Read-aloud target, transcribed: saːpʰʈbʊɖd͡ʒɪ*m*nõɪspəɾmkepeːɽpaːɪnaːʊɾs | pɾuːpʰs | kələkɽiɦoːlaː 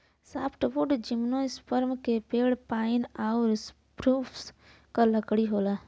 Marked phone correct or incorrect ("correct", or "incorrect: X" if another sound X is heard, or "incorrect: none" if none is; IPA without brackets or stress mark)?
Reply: correct